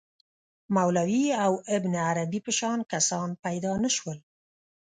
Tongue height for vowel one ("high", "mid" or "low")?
low